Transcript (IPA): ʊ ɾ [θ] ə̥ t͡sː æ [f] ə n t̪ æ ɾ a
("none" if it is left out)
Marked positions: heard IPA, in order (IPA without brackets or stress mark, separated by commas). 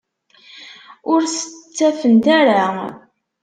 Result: s, f